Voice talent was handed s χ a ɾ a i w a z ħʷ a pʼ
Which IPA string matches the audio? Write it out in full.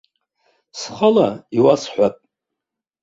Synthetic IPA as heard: s χ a l a i w a s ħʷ a pʼ